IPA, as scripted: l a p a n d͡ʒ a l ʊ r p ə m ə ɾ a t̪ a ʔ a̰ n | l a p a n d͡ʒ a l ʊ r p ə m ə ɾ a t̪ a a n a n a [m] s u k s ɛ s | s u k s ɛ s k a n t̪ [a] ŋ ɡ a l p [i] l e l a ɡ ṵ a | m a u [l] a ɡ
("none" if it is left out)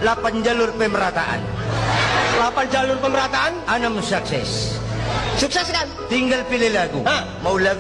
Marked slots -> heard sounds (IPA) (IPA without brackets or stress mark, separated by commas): m, i, i, l